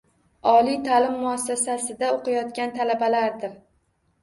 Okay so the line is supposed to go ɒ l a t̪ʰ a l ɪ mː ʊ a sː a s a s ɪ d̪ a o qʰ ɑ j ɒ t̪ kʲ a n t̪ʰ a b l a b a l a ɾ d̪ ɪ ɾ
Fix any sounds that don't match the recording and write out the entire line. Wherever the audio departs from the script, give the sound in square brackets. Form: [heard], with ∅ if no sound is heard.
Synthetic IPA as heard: ɒ l [i] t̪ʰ a l ɪ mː ʊ a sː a s a s ɪ d̪ a o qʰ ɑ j ɒ t̪ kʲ a n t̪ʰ a [∅] l a b a l a ɾ d̪ ɪ ɾ